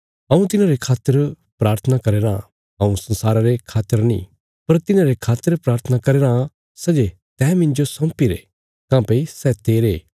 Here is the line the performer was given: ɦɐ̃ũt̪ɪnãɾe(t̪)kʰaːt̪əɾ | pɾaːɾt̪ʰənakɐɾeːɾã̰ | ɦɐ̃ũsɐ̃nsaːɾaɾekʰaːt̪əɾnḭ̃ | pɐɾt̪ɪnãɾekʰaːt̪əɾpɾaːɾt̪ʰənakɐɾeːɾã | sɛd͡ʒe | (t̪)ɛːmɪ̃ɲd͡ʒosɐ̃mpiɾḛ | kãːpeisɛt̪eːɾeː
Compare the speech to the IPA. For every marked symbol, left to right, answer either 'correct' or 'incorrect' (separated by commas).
incorrect, correct